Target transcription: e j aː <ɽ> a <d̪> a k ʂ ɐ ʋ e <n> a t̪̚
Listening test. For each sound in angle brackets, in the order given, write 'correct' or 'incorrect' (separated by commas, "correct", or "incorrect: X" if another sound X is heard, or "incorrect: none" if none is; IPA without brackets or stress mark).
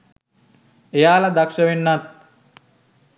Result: incorrect: l, correct, incorrect: nː